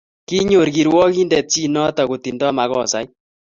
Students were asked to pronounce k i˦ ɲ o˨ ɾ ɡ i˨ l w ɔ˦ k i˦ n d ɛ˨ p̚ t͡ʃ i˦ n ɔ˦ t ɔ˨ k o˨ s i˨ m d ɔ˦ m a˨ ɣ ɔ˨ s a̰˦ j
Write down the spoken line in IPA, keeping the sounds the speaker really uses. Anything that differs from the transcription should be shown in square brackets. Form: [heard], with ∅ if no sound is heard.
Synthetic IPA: k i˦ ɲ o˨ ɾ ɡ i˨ [ɾ] w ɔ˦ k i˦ n d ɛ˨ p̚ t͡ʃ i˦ n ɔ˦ t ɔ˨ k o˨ [t] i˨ [n] d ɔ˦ m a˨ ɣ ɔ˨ s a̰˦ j